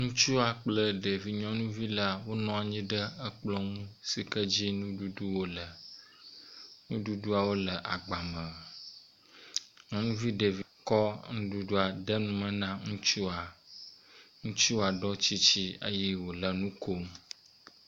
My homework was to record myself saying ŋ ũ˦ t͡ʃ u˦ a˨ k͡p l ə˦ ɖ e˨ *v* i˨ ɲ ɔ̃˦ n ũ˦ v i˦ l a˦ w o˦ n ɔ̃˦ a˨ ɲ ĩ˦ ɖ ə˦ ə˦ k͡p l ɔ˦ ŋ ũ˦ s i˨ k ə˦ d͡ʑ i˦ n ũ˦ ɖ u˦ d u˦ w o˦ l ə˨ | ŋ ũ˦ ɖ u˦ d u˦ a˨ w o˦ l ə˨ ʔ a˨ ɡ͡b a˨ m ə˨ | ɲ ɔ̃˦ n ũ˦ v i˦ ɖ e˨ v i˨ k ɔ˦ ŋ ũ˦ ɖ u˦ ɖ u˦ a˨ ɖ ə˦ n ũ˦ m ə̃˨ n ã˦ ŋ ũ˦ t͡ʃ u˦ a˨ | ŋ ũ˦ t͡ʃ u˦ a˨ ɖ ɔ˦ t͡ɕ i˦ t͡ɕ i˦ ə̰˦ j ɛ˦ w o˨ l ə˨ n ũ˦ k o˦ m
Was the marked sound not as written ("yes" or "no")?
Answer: no